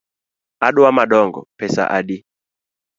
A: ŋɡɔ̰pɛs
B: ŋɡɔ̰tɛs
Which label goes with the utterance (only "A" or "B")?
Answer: A